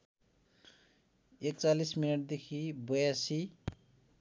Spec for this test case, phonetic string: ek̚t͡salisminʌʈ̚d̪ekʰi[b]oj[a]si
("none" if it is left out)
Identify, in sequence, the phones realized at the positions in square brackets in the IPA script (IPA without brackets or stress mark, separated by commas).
b, a